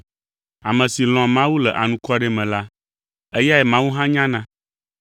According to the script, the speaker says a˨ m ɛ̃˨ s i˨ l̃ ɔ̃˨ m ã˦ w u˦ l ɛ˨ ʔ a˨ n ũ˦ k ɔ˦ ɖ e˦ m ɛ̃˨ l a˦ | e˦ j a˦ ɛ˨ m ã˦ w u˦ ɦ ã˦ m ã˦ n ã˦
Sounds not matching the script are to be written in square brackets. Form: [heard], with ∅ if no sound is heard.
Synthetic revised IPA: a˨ m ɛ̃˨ s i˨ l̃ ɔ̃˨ m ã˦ w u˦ l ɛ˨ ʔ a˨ n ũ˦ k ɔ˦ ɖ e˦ m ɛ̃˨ l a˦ | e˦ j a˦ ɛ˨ m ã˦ w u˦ ɦ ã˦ [ɲ] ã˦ n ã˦